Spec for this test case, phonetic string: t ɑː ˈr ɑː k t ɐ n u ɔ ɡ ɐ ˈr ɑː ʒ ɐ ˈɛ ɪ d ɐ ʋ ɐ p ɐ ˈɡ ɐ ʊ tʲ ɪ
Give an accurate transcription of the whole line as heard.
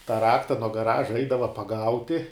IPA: t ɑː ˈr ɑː k t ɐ n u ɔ ɡ ɐ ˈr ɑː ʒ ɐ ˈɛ ɪ d ɐ ʋ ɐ p ɐ ˈɡ ɐ ʊ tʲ ɪ